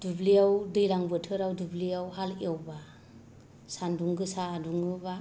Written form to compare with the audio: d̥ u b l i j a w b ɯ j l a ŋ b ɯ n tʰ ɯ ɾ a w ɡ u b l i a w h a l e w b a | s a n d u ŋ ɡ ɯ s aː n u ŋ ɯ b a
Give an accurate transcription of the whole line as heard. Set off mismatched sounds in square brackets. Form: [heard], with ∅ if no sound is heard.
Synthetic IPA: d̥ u b l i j a w [d] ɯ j l a ŋ b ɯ [∅] tʰ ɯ ɾ a w [d] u b l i a w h a l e w b a | s a n d u ŋ ɡ ɯ s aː [d] u ŋ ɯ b a